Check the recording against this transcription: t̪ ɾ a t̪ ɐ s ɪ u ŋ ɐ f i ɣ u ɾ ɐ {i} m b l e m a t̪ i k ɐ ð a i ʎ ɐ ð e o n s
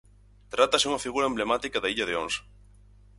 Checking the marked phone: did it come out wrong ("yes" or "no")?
yes